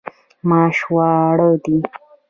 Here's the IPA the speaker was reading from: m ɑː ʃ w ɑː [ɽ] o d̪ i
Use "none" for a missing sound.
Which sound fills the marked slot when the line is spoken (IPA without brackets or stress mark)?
ɽ